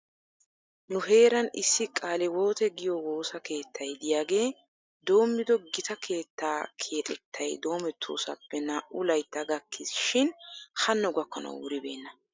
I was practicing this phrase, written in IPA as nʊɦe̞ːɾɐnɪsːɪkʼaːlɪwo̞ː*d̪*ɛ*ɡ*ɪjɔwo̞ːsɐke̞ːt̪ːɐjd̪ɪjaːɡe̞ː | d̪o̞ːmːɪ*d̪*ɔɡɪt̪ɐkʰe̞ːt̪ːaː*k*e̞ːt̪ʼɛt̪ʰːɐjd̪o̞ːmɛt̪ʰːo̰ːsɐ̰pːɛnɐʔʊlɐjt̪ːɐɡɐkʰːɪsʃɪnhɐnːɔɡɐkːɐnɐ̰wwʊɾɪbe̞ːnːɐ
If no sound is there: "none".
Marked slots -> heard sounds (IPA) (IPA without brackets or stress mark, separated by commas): t̪, ɡ, d̪, kʰ